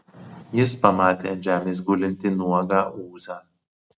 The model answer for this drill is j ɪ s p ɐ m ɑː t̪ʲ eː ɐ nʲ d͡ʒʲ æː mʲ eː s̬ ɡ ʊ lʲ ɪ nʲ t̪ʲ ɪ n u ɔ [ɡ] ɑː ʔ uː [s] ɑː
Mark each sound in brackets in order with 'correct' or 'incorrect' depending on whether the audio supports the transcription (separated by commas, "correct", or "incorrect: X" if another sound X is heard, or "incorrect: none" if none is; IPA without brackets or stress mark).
correct, incorrect: z